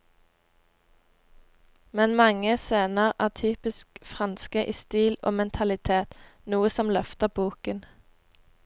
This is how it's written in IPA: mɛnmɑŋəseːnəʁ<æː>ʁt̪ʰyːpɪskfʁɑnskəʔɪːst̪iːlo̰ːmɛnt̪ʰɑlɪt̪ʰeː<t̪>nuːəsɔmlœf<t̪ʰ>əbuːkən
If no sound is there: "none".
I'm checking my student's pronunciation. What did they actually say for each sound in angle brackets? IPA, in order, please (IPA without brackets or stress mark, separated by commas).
æː, t̪, t̪